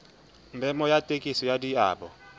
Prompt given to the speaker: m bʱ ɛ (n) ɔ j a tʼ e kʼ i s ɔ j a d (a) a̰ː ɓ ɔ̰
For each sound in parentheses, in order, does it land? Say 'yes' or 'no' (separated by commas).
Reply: no, no